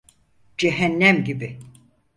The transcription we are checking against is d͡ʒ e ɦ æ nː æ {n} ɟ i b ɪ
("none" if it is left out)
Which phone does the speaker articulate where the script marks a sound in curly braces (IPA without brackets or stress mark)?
m